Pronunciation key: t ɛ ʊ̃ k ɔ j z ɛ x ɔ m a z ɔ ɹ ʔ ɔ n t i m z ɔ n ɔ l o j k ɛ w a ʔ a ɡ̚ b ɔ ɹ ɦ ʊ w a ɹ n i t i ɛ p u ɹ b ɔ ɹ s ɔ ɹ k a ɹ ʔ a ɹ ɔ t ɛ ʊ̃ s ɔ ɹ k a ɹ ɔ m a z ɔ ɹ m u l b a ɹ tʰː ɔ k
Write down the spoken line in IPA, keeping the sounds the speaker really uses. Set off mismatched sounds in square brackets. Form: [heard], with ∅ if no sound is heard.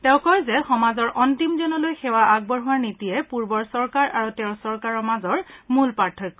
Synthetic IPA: t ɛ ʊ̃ k ɔ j z ɛ x ɔ m a z ɔ ɹ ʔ ɔ n t i m z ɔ n ɔ l o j [x] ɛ w a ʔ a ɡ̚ b ɔ ɹ ɦ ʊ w a ɹ n i t i ɛ p u ɹ b ɔ ɹ s ɔ ɹ k a ɹ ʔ a ɹ [u] t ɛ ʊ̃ s ɔ ɹ k a ɹ ɔ m a z ɔ ɹ m u l [p] a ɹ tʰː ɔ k